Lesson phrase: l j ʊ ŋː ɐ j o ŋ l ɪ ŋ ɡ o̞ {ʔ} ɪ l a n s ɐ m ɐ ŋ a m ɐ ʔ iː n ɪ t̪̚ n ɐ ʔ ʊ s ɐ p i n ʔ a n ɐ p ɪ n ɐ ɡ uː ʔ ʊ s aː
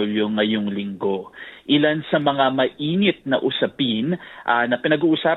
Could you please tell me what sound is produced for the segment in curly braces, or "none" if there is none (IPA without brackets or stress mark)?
ʔ